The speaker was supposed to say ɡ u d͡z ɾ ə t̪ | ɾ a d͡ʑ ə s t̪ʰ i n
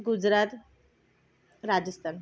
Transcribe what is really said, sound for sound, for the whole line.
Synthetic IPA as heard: ɡ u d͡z ɾ a t̪ | ɾ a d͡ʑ ə s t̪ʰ a n